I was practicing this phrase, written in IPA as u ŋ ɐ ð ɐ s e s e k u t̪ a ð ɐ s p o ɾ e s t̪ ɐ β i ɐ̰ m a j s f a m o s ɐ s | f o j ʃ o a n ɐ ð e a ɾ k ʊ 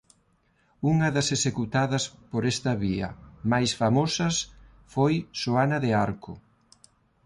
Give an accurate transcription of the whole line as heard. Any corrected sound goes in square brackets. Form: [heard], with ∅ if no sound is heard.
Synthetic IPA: u ŋ ɐ ð ɐ s e s e k u t̪ a ð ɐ s p o ɾ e s t̪ ɐ β i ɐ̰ m a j s f a m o s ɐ s | f o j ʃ o a n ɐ ð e a ɾ k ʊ